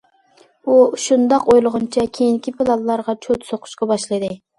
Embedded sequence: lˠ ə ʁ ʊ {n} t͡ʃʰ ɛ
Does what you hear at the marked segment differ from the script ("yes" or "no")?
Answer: no